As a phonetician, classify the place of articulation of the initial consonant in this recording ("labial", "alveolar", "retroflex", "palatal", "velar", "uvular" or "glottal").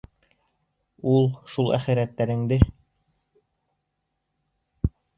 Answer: alveolar